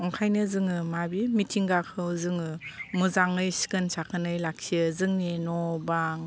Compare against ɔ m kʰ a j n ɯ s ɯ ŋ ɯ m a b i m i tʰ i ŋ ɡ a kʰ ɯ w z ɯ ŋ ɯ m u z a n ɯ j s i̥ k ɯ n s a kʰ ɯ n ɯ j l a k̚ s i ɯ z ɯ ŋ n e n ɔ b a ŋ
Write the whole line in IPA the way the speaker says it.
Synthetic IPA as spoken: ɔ ŋ kʰ a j n ɯ z ɯ ŋ ɯ m a b i m i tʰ i ŋ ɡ a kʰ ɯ w z ɯ ŋ ɯ m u z a ŋ ɯ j s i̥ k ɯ n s a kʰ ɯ n ɯ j l a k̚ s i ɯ z ɯ ŋ n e n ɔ b a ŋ